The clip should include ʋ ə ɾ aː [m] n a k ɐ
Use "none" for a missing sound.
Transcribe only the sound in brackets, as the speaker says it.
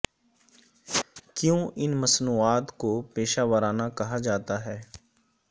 none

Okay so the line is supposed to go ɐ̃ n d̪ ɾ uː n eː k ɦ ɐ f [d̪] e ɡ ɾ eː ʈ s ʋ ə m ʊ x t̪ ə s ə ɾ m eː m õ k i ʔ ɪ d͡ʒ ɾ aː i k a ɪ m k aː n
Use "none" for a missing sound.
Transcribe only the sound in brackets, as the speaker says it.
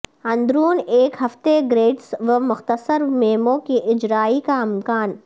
t̪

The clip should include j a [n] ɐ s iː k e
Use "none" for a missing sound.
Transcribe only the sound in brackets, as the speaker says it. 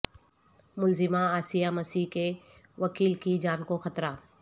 m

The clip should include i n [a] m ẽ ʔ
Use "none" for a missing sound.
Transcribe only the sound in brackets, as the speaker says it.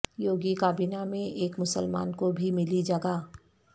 a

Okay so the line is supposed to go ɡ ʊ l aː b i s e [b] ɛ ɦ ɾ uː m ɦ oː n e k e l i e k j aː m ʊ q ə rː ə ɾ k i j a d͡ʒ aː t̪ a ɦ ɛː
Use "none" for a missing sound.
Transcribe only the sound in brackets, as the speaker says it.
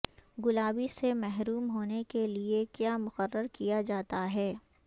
m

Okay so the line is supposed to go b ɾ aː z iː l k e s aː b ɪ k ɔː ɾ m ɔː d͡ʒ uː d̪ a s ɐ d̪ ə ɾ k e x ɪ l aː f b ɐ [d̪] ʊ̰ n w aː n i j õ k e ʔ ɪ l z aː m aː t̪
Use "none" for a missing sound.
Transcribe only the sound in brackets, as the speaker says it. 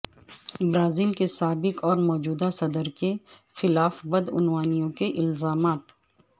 d̪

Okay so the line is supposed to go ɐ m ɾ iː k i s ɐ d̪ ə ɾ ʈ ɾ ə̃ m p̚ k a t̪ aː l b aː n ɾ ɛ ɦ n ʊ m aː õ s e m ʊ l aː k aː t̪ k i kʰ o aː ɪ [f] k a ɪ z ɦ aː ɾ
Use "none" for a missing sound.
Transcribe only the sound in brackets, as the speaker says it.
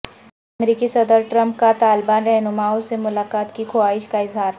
ʃ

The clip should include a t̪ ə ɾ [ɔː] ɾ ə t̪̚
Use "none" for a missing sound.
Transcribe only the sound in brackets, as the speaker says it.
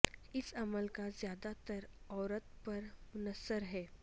ɔː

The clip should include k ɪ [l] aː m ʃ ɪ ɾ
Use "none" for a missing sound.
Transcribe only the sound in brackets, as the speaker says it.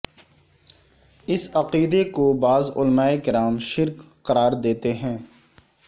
ɾ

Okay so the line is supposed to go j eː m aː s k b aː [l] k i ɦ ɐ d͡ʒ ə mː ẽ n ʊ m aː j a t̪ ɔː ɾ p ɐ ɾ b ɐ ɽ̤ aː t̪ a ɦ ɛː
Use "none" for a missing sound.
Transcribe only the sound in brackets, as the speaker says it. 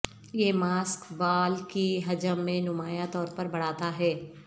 l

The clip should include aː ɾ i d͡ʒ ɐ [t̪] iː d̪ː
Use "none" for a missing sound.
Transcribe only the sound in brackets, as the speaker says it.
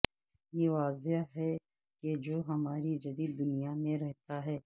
d̪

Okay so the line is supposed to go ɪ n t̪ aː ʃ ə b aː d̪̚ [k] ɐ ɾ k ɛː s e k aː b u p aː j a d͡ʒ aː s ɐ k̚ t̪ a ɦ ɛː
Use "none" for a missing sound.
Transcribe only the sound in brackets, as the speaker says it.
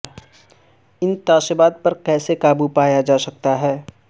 p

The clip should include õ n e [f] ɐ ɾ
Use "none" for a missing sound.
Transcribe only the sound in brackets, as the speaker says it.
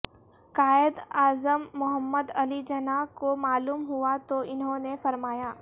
f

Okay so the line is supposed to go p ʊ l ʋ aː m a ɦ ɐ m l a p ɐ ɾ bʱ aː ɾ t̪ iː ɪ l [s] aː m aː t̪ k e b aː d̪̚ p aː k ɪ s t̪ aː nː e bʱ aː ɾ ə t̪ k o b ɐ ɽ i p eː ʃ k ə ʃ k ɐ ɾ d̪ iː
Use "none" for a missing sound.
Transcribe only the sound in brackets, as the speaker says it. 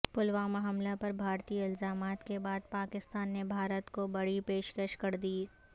z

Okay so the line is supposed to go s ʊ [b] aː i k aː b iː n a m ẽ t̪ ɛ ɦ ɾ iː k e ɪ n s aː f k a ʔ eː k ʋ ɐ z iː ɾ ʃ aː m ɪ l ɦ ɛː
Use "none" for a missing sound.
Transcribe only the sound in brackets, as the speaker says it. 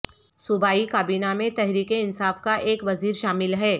b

